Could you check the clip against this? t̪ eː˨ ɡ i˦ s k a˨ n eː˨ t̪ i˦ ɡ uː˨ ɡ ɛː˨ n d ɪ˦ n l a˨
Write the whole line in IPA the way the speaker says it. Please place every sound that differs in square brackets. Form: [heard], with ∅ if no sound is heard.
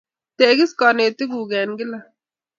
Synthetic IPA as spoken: t̪ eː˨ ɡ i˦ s k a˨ n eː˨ t̪ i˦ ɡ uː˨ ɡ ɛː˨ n [ɡ] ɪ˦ [∅] l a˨

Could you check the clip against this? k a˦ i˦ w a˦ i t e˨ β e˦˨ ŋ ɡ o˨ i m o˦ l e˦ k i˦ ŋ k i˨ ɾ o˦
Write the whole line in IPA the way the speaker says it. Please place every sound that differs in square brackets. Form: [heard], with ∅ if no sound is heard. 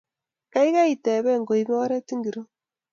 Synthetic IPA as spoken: k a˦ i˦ [ɣ] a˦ i t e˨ β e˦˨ ŋ ɡ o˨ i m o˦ [ɾ] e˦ [t] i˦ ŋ [ɡ] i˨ ɾ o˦

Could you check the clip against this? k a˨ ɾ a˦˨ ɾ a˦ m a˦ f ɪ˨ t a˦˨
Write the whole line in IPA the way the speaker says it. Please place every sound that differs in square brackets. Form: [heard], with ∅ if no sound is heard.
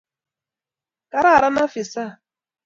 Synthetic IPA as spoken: k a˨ ɾ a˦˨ ɾ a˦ [n] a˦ f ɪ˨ [s] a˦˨

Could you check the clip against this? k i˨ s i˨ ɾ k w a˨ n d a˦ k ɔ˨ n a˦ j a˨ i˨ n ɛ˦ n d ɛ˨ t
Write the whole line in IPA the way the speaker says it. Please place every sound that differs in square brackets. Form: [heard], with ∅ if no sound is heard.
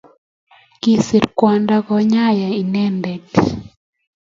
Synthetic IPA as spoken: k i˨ s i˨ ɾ k w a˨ n d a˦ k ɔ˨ [ɲ] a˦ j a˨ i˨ n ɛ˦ n d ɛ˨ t

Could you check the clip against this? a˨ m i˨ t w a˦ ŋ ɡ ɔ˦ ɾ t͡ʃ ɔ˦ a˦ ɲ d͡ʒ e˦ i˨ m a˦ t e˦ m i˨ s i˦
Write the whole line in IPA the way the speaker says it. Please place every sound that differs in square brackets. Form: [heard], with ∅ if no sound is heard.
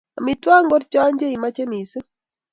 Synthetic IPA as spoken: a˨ m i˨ t w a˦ ŋ ɡ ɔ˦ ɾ t͡ʃ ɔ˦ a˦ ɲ d͡ʒ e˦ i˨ m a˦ [t͡ʃ] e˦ m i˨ s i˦

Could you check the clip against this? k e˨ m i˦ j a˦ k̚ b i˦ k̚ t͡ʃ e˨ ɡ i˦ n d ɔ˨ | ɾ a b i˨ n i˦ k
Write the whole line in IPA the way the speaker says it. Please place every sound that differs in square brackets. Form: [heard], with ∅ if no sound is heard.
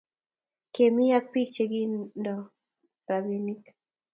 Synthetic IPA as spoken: k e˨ m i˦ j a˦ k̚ [p] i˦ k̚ t͡ʃ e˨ ɡ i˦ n d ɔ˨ | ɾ a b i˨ n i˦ k

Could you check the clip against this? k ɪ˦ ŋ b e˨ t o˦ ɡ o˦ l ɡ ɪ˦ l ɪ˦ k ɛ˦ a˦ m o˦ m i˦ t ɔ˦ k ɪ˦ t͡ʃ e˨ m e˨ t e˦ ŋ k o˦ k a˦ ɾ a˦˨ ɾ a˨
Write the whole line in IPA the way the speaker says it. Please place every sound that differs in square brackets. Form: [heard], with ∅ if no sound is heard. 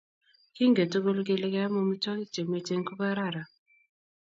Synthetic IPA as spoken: k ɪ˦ ŋ [ɡ] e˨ t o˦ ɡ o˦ l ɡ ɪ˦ l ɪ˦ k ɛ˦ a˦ m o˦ m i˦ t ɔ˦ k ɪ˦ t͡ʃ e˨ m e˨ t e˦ ŋ k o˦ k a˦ ɾ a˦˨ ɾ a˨

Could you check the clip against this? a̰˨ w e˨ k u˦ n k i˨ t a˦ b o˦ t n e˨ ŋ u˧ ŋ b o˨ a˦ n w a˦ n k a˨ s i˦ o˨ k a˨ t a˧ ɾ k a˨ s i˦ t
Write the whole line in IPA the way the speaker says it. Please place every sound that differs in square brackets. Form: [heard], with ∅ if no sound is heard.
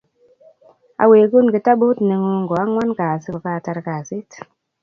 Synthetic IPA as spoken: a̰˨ w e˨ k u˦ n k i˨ t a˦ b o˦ t n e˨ ŋ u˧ ŋ [ɡ] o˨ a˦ [ŋ] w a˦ n k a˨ s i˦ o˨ k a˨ t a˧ ɾ k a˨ s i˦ t

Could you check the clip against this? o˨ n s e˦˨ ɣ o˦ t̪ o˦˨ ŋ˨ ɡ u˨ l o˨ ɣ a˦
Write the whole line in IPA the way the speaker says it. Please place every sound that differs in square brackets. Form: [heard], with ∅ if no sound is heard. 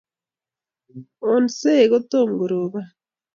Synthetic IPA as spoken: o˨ n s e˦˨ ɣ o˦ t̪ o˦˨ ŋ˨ ɡ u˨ [ɾ] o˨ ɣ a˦

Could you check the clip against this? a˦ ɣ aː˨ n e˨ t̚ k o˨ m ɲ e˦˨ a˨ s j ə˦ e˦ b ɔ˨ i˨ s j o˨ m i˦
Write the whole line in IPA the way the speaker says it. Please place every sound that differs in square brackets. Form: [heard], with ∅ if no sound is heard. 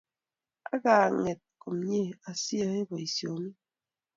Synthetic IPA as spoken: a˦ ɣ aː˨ [ŋ] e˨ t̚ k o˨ m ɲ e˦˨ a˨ s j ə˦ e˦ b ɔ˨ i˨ s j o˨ m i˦

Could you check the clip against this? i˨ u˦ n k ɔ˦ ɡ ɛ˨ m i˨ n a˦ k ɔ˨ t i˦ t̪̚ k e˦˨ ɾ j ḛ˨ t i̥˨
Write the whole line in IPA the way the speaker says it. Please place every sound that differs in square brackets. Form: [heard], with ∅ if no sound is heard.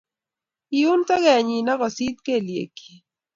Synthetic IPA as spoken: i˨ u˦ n [t] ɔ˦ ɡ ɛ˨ [ɲ] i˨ n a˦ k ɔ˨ [s] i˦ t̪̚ k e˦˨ [l] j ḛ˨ [k] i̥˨

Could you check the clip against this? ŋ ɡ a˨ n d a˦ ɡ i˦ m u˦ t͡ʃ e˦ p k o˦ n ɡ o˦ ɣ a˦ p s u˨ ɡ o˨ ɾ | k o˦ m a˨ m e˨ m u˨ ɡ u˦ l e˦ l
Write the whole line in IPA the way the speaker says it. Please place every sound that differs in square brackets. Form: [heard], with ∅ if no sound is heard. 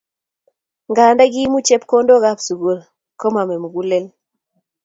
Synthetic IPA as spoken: ŋ ɡ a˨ n d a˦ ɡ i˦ m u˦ t͡ʃ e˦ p k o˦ n [d] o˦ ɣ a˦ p s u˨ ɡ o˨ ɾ | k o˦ m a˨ m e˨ m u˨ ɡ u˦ l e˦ l

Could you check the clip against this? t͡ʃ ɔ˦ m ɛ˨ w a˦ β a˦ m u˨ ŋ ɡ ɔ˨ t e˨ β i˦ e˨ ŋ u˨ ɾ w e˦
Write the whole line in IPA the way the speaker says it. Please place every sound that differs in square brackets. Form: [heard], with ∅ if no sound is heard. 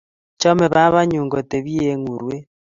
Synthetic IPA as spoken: t͡ʃ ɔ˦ m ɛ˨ [β] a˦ β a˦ [ɲ] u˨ ŋ ɡ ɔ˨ t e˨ β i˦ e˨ ŋ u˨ ɾ w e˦

